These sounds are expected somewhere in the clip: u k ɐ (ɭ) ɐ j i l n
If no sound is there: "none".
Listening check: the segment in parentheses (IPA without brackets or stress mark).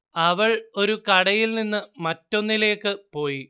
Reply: ɽ